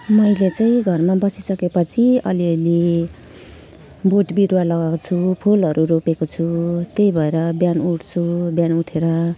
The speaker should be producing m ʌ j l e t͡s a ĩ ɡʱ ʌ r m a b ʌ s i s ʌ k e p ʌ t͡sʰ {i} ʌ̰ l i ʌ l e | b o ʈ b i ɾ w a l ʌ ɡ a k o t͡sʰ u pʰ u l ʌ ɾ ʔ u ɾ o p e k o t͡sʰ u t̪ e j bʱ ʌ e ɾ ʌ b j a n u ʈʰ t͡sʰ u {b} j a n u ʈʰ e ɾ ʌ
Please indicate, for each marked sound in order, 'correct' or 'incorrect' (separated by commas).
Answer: correct, correct